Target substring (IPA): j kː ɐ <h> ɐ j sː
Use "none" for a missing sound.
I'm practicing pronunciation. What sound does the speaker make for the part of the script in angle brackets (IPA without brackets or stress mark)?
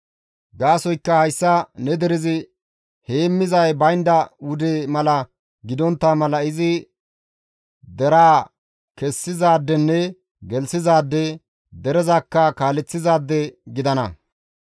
h